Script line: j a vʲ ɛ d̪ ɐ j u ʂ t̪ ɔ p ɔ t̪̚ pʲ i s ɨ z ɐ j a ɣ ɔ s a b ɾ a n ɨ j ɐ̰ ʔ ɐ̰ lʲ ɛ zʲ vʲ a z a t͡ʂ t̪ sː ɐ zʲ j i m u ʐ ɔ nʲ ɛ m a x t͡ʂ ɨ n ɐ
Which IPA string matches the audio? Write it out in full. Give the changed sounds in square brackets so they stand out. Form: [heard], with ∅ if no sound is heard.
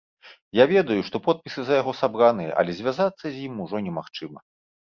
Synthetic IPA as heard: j a vʲ ɛ d̪ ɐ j u ʂ t̪ ɔ p ɔ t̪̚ pʲ i s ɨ z ɐ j a ɣ ɔ s a b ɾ a n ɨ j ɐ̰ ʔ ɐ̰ lʲ ɛ zʲ vʲ a z a [∅] t̪ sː ɐ zʲ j i m u ʐ ɔ nʲ ɛ m a x t͡ʂ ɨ [m] ɐ